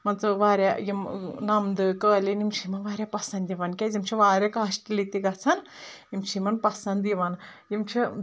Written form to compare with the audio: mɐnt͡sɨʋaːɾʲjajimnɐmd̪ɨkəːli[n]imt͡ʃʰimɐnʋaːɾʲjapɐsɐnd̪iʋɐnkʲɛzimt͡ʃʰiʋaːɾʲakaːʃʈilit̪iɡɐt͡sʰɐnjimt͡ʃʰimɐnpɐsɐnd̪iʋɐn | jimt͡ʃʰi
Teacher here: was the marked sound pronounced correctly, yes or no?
yes